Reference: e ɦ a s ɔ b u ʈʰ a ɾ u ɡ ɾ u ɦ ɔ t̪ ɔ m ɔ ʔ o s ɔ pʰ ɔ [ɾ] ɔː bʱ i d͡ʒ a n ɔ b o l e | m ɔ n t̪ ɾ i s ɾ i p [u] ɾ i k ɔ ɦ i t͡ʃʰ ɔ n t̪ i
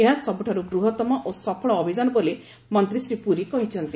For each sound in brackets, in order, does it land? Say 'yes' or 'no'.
no, yes

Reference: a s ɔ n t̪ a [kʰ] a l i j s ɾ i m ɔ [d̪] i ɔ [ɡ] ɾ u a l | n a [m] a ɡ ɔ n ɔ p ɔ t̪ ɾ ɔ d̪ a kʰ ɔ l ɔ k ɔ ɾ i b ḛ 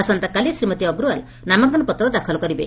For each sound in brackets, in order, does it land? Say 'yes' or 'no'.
no, no, yes, yes

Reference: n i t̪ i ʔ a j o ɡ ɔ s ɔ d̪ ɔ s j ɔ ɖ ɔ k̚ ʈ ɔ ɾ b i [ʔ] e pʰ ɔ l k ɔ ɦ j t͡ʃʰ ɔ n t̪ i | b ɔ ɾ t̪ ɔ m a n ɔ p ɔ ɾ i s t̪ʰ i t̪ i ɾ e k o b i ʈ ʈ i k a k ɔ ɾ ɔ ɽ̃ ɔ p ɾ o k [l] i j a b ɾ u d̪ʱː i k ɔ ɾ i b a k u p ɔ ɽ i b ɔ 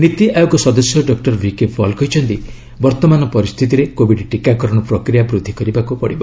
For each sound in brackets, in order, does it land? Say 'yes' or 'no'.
no, no

